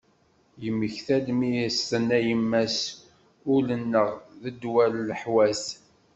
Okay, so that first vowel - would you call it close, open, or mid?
mid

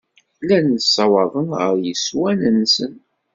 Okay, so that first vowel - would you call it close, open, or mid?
open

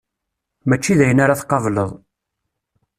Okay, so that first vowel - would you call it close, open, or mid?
open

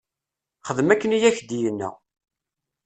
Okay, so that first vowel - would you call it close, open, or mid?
mid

